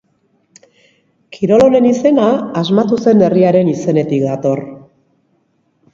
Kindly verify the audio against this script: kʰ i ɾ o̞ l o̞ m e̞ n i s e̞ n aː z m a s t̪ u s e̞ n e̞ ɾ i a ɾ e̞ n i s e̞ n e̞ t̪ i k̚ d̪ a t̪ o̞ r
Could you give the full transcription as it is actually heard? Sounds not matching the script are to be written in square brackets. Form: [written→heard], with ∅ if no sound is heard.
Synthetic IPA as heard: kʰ i ɾ o̞ l o̞ [m→n] e̞ n i s e̞ n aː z m a [s→∅] t̪ u s e̞ n e̞ [ɾ→r] i a ɾ e̞ n i s e̞ n e̞ t̪ i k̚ d̪ a t̪ o̞ r

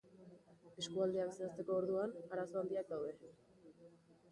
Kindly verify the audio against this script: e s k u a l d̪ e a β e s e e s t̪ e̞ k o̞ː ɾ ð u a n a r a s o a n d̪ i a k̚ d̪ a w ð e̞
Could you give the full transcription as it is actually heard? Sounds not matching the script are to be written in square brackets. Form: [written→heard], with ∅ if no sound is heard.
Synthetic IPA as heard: e s k u a l d̪ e a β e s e [e→a] s t̪ e̞ k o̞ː ɾ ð u a n a [r→ɾ] a s o a n d̪ i a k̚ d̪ a w ð e̞

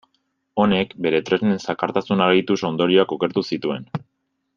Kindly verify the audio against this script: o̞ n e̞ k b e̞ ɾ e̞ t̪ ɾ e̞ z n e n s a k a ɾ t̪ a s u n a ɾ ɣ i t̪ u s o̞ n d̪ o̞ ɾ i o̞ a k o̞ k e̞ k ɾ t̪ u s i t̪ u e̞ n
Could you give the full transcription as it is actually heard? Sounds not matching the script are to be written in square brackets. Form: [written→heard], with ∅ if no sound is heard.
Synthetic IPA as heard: o̞ n e̞ k b e̞ ɾ e̞ t̪ ɾ e̞ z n e n s a k a ɾ t̪ a s u n a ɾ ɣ i t̪ u s o̞ n d̪ o̞ ɾ i o̞ a k o̞ k e̞ [k→∅] ɾ t̪ u s i t̪ u e̞ n

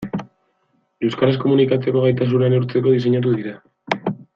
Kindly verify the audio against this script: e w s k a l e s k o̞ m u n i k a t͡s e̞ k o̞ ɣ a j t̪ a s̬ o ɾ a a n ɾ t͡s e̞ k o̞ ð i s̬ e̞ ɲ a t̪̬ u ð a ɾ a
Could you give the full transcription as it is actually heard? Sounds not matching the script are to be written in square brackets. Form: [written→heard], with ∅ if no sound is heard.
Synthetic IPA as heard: e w s k a [l→ɾ] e s k o̞ m u n i k a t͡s e̞ k o̞ ɣ a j t̪ a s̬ [o→u] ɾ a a n ɾ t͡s e̞ k o̞ ð i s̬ e̞ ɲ a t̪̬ u ð [a→i] ɾ a

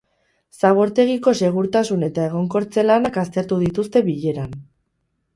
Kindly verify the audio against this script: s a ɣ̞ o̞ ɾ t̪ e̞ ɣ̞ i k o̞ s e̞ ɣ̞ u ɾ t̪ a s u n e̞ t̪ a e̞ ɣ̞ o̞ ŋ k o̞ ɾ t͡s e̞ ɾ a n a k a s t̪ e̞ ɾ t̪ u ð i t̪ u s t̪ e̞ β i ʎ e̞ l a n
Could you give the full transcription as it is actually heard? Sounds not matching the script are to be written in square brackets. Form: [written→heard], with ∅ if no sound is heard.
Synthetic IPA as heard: s a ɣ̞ o̞ ɾ t̪ e̞ ɣ̞ i k o̞ s e̞ ɣ̞ u ɾ t̪ a s u n e̞ t̪ a e̞ ɣ̞ o̞ ŋ k o̞ ɾ t͡s e̞ [ɾ→l] a n a k a s t̪ e̞ ɾ t̪ u ð i t̪ u s t̪ e̞ β i ʎ e̞ [l→ɾ] a n

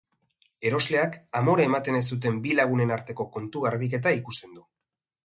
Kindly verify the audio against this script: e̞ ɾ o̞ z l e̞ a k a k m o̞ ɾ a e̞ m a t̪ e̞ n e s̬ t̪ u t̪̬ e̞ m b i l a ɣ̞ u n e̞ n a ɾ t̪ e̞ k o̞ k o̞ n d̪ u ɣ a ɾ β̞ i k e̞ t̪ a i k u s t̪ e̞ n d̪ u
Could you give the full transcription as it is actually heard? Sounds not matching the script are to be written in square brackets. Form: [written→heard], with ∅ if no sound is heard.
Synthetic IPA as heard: e̞ ɾ o̞ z l e̞ a k a [k→∅] m o̞ ɾ a e̞ m a t̪ e̞ n e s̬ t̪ u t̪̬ e̞ m b i l a ɣ̞ u n e̞ n a ɾ t̪ e̞ k o̞ k o̞ n [d̪→t̪] u ɣ a ɾ β̞ i k e̞ t̪ a i k u s t̪ e̞ n d̪ u

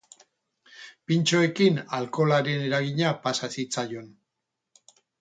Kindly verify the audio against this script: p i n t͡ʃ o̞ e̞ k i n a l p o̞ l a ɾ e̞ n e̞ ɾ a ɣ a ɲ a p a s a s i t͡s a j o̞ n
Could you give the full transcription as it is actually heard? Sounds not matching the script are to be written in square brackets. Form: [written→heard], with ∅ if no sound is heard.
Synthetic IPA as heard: p i n t͡ʃ o̞ e̞ k i n a l [p→k] o̞ l a ɾ e̞ n e̞ ɾ a ɣ [a→i] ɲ a p a s a s i t͡s a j o̞ n

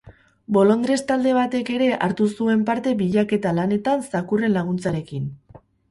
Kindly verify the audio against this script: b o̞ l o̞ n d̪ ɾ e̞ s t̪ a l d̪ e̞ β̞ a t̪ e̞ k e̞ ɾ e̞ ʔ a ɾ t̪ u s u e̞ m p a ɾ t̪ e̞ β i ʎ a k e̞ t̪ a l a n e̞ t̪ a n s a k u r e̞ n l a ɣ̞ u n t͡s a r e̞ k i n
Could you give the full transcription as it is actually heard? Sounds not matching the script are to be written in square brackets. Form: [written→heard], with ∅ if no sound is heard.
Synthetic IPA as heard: b o̞ l o̞ n d̪ ɾ e̞ s t̪ a l d̪ e̞ β̞ a t̪ e̞ k e̞ ɾ e̞ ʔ a ɾ t̪ u s u e̞ m p a ɾ t̪ e̞ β i ʎ a k e̞ t̪ a l a n e̞ t̪ a n s a k u r e̞ n l a ɣ̞ u n t͡s a [r→ɾ] e̞ k i n

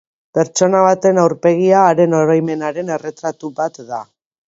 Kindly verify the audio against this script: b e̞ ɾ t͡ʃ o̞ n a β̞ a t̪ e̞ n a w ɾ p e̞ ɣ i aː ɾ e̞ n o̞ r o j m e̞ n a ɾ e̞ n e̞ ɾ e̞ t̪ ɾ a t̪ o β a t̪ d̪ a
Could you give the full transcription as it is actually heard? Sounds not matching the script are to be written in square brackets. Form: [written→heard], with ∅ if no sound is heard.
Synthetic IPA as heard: [b→p] e̞ ɾ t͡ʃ o̞ n a β̞ a t̪ e̞ n a w ɾ p e̞ ɣ i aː ɾ e̞ n o̞ [r→ɾ] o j m e̞ n a ɾ e̞ n e̞ [ɾ→r] e̞ t̪ ɾ a t̪ [o→u] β a t̪ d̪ a

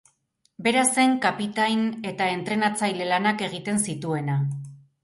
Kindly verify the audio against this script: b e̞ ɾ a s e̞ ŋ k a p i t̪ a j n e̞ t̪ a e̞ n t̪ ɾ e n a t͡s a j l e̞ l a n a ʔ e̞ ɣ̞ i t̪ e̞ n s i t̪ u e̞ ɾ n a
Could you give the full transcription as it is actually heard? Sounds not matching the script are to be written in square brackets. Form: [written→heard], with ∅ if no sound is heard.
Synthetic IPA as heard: b e̞ ɾ a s e̞ ŋ k a p i t̪ a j n e̞ t̪ a e̞ n t̪ ɾ e n a t͡s a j l e̞ l a n a [ʔ→k] e̞ ɣ̞ i t̪ e̞ n s i t̪ u e̞ [ɾ→∅] n a

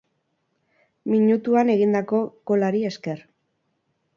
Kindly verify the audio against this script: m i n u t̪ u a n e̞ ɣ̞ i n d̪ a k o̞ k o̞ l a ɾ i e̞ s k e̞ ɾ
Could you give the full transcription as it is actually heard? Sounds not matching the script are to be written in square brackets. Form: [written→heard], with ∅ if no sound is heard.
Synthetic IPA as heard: m i [n→ɲ] u t̪ u a n e̞ ɣ̞ i n d̪ a k o̞ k o̞ l a ɾ i e̞ s k e̞ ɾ

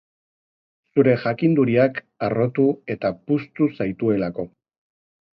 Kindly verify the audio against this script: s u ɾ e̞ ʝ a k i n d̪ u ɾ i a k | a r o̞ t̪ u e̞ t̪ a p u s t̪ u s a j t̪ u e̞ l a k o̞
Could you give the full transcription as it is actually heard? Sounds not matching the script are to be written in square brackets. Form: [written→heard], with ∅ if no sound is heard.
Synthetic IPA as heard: s u ɾ e̞ ʝ a k i n d̪ u ɾ i a k | a r o̞ t̪ u e̞ t̪ a p u s t̪ u s a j t̪ u e̞ l a k o̞

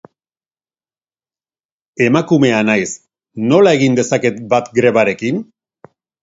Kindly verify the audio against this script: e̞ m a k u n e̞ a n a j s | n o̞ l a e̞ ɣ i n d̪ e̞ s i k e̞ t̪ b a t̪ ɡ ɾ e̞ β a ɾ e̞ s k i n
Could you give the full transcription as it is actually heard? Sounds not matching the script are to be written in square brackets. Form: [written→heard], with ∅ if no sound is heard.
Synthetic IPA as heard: e̞ m a k u [n→m] e̞ a n a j s | n o̞ l a e̞ ɣ i n d̪ e̞ s [i→a] k e̞ t̪ b a t̪ ɡ ɾ e̞ β a ɾ e̞ [s→∅] k i n

